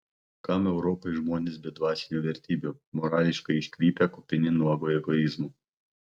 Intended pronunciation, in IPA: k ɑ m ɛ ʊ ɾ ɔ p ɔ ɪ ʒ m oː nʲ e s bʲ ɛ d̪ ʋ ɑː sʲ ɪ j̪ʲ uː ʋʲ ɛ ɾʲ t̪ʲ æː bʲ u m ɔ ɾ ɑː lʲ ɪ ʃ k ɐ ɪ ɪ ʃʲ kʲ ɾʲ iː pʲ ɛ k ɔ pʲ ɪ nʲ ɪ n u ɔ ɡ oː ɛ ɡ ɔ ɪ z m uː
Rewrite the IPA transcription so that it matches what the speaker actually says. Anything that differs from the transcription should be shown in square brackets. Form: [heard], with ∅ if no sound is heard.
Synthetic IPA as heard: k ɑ m ɛ ʊ ɾ ɔ p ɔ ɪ ʒ m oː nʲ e s bʲ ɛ d̪ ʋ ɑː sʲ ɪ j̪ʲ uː ʋʲ ɛ ɾʲ t̪ʲ [iː] bʲ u m ɔ ɾ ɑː lʲ ɪ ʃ k ɐ ɪ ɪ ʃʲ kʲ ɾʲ iː pʲ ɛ k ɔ pʲ ɪ nʲ ɪ n u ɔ ɡ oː ɛ ɡ ɔ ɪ z m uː